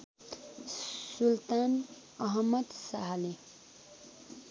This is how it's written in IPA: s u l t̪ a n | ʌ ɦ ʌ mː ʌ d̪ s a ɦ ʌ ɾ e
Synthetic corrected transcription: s u l t̪ a n | ʌ ɦ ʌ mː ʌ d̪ s a ɦ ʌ l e